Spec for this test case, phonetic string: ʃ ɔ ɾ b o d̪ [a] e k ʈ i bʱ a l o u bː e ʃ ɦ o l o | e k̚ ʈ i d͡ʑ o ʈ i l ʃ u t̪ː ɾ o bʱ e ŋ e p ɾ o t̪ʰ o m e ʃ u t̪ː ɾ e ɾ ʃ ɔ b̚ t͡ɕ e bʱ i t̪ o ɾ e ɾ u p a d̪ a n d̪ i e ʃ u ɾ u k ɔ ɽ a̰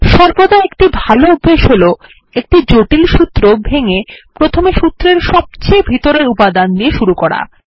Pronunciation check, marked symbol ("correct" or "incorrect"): correct